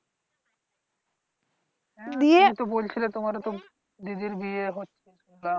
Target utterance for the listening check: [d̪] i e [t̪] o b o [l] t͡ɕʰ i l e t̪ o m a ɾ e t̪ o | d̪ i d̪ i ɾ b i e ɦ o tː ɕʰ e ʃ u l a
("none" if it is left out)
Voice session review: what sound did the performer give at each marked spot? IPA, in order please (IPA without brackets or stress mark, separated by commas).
d̪, t̪, l